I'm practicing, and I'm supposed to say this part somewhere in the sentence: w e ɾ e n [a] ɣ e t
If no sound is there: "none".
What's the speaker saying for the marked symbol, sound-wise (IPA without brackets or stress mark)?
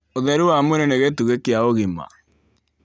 e